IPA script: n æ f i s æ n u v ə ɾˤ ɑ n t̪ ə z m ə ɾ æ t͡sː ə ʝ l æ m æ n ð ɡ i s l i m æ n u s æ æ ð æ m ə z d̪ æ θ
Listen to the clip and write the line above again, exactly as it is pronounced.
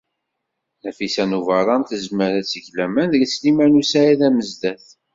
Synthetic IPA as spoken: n æ f i s æ n u v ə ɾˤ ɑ n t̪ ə z m ə ɾ æ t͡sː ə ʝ l æ m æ n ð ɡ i s l i m æ n u s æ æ ð æ m ə z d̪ æ θ